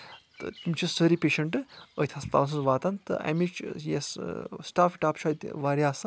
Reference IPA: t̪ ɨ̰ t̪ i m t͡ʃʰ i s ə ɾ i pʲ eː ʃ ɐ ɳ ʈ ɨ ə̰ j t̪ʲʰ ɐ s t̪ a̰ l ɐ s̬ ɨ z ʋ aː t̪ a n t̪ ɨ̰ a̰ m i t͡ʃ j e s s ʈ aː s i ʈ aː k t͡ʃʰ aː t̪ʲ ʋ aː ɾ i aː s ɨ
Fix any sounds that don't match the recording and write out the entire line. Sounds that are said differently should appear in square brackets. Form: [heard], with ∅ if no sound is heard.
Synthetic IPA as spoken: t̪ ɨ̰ t̪ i m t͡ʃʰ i s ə ɾ i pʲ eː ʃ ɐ ɳ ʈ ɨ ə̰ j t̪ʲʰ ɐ s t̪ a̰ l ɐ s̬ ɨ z ʋ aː t̪ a n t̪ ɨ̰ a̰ m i t͡ʃ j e s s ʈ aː [f] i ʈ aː [p] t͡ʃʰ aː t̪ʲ ʋ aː ɾ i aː s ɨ